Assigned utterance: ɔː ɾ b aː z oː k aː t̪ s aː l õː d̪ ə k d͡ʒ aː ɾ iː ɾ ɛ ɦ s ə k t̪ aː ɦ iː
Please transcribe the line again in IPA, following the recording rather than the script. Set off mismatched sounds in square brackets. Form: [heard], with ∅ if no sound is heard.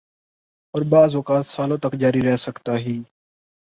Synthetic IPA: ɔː ɾ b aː z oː k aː t̪ s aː l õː [t̪] ə k d͡ʒ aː ɾ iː ɾ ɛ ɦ s ə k t̪ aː ɦ iː